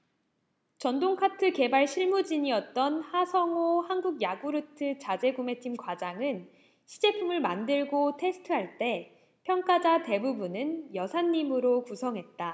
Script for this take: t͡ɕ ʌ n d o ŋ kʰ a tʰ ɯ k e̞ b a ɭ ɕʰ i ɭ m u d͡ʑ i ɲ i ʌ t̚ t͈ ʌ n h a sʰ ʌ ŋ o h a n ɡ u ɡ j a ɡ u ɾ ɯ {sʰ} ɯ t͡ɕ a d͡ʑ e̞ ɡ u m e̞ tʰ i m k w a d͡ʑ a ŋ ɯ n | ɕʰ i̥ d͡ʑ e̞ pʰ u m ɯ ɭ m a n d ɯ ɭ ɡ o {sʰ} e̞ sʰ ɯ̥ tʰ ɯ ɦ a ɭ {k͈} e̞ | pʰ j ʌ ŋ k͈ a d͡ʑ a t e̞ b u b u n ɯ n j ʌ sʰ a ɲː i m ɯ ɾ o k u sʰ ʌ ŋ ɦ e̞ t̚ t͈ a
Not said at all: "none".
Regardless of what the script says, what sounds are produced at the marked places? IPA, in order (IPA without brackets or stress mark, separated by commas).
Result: tʰ, tʰ, t͈